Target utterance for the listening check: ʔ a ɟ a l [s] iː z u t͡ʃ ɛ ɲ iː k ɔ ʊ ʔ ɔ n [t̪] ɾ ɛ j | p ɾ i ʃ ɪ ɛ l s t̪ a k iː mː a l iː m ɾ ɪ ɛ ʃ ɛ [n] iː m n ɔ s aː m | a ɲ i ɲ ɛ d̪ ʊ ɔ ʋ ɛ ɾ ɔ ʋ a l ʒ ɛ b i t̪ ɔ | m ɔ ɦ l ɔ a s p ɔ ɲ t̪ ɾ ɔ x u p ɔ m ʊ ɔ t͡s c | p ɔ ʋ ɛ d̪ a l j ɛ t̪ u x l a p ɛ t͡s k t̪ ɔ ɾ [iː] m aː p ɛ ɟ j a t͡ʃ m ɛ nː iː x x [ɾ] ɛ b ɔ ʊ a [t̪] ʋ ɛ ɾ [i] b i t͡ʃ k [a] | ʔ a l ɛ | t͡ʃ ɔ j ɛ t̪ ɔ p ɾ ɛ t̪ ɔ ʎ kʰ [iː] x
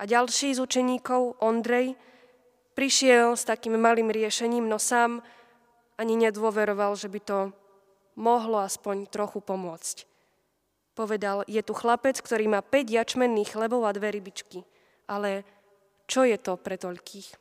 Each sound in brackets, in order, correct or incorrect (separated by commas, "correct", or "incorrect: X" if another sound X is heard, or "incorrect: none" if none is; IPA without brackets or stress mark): incorrect: ʃ, incorrect: d̪, incorrect: ɲ, correct, incorrect: l, incorrect: d̪, correct, incorrect: i, correct